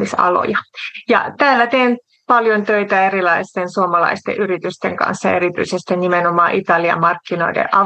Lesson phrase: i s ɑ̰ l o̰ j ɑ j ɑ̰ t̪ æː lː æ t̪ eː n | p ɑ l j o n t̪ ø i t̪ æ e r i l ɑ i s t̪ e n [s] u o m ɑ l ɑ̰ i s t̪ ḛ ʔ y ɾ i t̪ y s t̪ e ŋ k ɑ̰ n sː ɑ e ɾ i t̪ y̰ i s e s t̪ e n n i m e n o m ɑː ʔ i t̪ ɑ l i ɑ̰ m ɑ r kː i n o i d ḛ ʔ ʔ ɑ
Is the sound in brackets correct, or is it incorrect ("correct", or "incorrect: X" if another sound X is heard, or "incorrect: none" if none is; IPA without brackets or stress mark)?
correct